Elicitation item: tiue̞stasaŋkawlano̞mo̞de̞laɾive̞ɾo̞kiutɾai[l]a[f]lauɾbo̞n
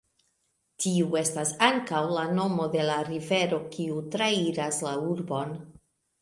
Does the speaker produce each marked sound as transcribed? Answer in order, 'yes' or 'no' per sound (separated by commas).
no, no